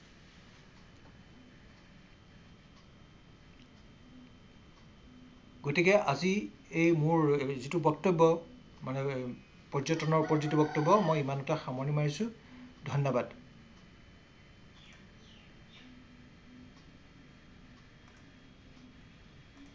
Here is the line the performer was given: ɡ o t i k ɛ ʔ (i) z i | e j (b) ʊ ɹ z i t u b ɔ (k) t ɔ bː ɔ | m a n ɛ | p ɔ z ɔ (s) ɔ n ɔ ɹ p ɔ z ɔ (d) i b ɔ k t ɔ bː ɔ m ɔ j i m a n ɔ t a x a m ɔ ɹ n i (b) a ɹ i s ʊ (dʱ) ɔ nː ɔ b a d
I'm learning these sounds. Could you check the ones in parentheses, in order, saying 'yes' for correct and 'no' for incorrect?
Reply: no, no, yes, no, no, no, yes

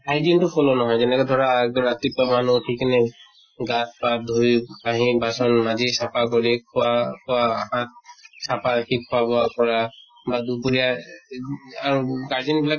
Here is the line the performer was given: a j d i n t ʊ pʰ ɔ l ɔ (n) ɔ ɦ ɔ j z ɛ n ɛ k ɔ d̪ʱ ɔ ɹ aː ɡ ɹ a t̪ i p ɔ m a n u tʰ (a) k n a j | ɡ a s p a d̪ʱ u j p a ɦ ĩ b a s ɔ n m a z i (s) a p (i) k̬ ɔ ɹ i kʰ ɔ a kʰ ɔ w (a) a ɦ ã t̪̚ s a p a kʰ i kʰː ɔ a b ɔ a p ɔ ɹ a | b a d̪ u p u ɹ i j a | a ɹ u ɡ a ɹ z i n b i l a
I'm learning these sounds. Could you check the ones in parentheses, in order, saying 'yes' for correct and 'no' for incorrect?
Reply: yes, no, yes, no, yes

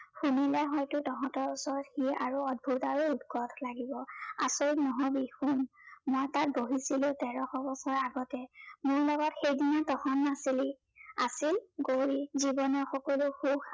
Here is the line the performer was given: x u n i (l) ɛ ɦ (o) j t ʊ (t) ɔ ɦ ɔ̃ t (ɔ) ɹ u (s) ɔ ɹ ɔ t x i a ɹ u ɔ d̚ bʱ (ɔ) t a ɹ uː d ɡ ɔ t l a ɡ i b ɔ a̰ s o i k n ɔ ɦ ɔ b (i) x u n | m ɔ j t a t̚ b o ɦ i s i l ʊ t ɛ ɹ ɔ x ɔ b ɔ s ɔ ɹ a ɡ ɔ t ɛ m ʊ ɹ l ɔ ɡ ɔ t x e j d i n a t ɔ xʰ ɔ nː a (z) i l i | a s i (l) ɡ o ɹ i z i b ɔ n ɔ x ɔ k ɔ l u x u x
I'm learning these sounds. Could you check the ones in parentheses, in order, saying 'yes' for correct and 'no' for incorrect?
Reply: yes, no, yes, yes, yes, no, yes, no, yes

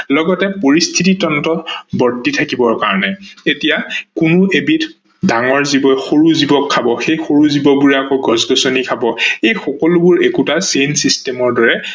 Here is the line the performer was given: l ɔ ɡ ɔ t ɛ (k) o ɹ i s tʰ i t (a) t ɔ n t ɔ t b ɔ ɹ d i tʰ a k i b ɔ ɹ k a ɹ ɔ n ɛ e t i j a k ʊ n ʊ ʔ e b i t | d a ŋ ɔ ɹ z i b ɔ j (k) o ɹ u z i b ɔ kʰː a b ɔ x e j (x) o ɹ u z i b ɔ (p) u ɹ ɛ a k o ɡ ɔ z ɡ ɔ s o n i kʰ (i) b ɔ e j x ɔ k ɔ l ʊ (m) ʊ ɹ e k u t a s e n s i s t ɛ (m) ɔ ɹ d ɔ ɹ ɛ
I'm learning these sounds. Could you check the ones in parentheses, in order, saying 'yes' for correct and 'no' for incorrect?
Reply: no, no, no, yes, no, no, no, yes

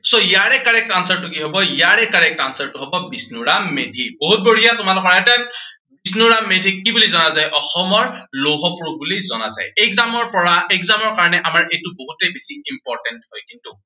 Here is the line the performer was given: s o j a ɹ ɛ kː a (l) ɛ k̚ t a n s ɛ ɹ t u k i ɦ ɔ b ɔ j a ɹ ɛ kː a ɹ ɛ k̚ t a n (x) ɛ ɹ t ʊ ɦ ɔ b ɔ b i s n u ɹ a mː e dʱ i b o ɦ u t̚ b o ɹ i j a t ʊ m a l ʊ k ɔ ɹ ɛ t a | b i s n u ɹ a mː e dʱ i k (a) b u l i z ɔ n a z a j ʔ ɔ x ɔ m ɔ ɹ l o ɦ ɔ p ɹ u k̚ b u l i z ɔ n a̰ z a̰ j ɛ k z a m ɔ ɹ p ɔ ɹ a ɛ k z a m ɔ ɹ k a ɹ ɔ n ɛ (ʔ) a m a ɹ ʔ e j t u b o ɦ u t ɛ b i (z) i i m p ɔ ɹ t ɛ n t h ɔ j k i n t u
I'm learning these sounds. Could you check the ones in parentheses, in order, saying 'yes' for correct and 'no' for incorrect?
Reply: no, no, no, yes, no

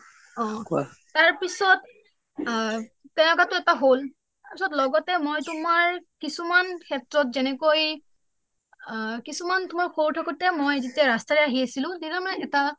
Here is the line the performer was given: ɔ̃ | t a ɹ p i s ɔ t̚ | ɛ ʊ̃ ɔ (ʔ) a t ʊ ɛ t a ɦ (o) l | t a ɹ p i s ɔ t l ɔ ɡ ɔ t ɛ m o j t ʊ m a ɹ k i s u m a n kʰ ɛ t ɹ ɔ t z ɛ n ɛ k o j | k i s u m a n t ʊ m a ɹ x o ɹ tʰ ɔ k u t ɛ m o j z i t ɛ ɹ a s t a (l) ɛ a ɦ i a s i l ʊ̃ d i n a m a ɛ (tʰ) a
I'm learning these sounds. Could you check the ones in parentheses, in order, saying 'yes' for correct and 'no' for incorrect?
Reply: no, yes, no, no

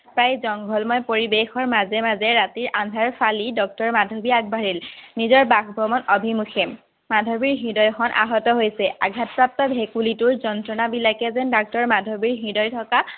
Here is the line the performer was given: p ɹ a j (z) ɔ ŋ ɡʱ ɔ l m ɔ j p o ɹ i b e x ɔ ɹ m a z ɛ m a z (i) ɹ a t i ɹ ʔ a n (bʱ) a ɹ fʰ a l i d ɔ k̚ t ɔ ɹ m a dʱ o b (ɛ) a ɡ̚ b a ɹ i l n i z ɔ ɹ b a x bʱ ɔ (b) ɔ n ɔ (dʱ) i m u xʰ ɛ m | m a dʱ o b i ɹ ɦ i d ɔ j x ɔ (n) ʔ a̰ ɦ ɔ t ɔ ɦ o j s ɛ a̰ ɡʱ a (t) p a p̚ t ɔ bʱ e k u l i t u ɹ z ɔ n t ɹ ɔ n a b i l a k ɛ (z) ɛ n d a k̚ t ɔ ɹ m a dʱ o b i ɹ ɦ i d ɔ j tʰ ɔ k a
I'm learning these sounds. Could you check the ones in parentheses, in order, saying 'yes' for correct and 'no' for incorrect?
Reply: yes, no, no, no, no, no, yes, yes, yes

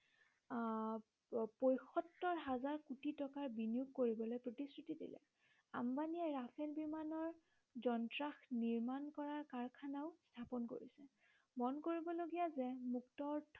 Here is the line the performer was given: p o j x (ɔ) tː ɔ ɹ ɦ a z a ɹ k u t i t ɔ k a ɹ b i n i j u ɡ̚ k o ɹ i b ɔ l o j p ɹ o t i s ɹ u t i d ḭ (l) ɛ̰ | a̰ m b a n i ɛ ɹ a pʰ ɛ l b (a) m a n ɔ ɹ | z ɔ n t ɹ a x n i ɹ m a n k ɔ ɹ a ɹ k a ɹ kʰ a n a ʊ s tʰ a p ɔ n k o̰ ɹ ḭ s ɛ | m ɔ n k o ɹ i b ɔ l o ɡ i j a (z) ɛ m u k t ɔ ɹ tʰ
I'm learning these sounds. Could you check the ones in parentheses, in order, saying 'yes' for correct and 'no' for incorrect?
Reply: yes, yes, no, yes

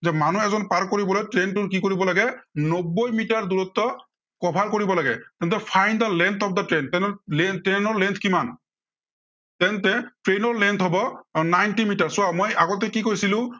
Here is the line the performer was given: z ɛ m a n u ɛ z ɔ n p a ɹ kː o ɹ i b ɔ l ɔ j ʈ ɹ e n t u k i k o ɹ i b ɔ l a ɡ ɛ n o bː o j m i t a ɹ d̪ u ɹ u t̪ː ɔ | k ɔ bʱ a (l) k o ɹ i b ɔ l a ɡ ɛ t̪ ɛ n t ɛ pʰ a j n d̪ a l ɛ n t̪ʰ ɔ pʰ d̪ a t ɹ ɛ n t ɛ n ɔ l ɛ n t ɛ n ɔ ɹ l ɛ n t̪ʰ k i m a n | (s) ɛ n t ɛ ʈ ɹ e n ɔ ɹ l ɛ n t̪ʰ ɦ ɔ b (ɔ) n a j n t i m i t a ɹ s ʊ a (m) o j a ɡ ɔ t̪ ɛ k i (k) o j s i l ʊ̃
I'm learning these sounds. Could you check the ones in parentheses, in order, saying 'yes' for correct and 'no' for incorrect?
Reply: no, no, yes, yes, yes

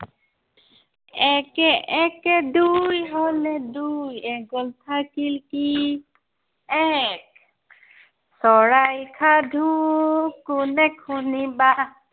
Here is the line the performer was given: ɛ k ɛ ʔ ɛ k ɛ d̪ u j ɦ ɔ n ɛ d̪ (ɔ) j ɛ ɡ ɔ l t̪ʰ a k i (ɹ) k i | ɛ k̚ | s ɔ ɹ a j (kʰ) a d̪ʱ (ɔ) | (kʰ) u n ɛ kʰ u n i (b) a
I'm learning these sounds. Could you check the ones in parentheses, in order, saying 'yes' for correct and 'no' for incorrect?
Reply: no, no, yes, no, no, yes

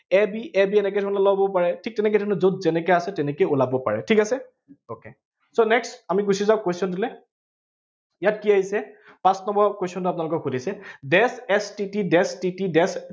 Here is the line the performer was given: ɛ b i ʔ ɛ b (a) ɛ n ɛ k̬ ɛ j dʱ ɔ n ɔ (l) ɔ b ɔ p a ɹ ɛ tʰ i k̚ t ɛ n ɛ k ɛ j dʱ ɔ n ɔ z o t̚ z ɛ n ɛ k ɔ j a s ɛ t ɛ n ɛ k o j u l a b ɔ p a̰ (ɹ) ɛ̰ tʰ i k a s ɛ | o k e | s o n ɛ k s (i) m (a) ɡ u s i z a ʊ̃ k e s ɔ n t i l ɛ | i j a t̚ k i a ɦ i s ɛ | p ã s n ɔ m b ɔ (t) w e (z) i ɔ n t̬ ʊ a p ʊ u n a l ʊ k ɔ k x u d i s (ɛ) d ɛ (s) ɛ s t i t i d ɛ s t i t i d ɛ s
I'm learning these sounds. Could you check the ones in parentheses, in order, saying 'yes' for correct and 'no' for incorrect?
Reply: no, yes, yes, no, no, no, no, yes, yes

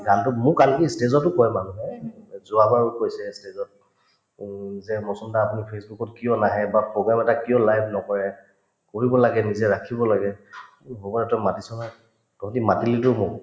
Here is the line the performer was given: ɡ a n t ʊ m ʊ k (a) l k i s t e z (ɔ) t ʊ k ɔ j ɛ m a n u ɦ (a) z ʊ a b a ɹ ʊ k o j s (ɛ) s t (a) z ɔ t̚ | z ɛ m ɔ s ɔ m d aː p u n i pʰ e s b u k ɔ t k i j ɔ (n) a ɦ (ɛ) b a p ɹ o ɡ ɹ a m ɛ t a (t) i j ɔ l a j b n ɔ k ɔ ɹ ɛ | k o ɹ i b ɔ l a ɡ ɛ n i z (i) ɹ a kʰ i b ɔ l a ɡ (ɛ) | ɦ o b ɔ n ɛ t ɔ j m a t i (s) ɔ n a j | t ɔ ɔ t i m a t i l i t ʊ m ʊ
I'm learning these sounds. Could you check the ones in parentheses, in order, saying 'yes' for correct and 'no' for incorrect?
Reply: yes, yes, no, yes, no, yes, yes, no, no, yes, yes

